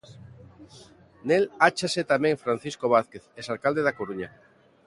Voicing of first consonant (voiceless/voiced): voiced